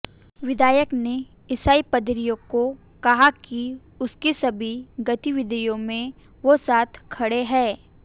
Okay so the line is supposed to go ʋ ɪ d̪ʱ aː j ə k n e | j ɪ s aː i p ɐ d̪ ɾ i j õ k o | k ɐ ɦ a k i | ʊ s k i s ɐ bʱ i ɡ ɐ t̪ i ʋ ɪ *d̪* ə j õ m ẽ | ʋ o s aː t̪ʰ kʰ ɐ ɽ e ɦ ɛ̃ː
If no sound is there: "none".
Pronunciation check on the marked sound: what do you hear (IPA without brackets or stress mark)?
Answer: d̪